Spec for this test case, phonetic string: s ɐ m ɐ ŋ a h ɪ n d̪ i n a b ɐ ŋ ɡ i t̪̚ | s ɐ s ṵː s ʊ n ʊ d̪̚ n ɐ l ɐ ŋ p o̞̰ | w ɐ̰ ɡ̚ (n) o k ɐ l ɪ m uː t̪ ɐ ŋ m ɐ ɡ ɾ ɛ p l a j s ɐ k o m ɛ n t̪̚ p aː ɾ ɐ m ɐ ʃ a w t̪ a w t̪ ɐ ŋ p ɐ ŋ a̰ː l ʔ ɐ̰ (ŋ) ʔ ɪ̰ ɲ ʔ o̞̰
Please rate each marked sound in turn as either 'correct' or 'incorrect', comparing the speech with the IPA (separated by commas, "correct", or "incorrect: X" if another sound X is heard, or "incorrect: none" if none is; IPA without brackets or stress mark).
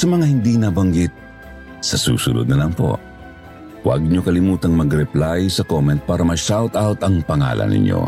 incorrect: ɲ, incorrect: n